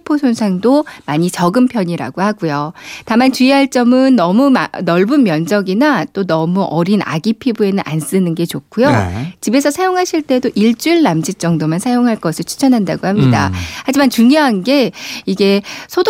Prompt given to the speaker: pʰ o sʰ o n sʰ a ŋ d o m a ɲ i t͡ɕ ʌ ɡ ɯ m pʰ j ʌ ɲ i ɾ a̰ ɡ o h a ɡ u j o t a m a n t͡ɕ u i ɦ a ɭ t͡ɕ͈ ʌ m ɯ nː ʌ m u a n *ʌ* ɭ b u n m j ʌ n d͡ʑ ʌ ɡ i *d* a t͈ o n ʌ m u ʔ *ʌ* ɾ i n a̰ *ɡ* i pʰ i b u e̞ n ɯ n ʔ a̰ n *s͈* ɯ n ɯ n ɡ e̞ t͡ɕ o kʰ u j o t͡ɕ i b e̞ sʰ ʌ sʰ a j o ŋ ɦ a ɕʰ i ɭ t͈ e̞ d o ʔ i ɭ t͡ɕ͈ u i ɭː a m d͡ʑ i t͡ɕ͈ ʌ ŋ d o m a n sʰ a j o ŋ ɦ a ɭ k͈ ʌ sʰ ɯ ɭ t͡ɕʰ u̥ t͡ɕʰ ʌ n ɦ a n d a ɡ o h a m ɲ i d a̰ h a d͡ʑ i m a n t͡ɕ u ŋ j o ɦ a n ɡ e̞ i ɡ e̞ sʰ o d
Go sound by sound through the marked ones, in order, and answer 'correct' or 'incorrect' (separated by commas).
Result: correct, incorrect, correct, correct, correct